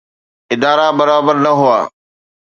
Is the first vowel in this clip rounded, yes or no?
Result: no